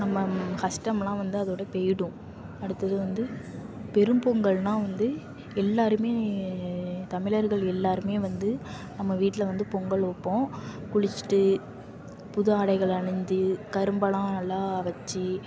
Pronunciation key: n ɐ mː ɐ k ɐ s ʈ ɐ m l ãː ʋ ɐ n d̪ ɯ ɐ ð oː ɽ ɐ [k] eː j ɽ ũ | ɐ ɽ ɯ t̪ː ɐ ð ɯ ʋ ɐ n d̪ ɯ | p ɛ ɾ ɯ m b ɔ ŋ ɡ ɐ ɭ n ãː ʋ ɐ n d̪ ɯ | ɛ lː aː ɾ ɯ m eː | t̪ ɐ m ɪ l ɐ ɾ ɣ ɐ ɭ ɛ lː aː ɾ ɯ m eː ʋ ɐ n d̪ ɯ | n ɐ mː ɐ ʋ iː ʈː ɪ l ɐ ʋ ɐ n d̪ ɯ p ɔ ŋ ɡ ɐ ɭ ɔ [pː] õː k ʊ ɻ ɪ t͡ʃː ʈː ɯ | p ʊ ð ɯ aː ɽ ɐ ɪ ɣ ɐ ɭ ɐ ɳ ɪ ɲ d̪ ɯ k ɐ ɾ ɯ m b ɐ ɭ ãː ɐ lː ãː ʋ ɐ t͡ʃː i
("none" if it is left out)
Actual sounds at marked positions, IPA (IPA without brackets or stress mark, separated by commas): p, pː